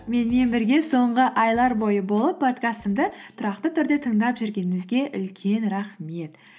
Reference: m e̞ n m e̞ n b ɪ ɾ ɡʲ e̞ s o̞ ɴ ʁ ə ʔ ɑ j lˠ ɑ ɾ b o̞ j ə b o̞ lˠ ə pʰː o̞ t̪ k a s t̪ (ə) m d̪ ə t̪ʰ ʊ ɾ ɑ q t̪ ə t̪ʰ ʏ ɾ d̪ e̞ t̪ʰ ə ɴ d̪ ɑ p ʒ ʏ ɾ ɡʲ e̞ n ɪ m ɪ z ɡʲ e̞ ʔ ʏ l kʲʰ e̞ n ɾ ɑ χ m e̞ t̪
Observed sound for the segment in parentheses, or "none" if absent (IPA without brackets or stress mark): ə